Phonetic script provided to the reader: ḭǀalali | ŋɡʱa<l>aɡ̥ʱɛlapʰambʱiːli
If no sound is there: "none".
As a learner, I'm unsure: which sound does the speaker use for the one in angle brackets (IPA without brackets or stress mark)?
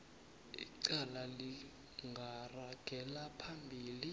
r